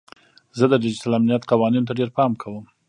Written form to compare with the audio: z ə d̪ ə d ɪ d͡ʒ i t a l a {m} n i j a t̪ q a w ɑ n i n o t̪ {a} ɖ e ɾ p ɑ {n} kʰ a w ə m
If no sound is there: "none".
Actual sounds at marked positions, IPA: m, a, m

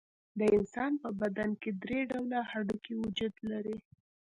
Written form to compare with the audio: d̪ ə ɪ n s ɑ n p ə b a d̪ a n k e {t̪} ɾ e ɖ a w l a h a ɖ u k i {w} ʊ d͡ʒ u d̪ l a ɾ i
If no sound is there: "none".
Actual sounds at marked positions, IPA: d̪, w

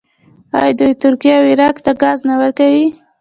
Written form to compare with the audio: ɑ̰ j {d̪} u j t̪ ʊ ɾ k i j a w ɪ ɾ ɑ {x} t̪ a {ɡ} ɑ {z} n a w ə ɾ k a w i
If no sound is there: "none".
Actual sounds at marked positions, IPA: d̪, k, ɡ, z

